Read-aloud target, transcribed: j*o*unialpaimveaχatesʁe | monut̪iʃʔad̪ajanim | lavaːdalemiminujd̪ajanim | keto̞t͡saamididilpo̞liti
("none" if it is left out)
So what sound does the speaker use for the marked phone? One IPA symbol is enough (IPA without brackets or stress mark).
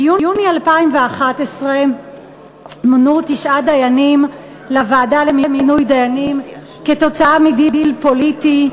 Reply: u